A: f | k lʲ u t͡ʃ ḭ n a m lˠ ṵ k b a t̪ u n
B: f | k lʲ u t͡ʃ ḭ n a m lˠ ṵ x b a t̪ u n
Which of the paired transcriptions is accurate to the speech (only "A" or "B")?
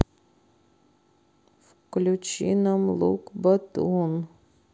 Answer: A